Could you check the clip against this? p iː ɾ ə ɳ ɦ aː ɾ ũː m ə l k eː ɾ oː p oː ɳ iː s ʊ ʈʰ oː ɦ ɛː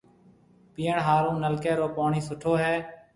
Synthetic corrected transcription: p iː ə ɳ ɦ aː ɾ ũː n ə l k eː ɾ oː p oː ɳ iː s ʊ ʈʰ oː ɦ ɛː